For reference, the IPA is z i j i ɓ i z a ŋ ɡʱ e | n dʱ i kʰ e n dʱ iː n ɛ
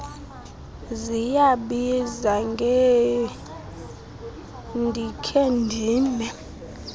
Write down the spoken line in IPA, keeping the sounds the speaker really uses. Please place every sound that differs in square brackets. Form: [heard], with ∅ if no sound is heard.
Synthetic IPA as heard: z i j [a] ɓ i z a ŋ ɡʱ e | n dʱ i kʰ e n dʱ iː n ɛ